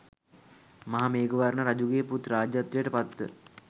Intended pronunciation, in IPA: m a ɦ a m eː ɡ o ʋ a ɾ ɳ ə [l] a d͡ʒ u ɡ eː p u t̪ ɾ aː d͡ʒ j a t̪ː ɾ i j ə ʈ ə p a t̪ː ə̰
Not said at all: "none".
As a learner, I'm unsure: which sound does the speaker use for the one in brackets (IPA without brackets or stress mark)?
ɾ